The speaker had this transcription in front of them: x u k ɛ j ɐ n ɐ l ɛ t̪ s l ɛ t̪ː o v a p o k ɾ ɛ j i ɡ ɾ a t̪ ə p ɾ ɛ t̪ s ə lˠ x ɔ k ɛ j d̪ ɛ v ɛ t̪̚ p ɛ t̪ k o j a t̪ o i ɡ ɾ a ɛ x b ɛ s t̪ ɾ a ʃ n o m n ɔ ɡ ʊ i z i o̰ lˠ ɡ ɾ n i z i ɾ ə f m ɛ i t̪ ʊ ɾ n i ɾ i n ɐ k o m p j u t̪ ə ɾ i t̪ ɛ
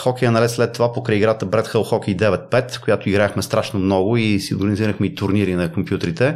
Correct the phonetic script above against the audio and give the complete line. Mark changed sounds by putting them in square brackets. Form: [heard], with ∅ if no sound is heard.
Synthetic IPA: x [ɔ] k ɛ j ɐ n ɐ l ɛ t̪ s l ɛ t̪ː o v a p o k ɾ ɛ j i ɡ ɾ a t̪ ə [b] ɾ ɛ t̪ [x] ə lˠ x ɔ k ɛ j d̪ ɛ v ɛ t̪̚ p ɛ t̪ k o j a t̪ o i ɡ ɾ a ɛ x [m] ɛ s t̪ ɾ a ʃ n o m n ɔ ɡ ʊ i [s] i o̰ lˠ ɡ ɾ n i z i ɾ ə [x] m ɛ i t̪ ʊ ɾ n i ɾ i n ɐ k o m p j u t̪ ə ɾ i t̪ ɛ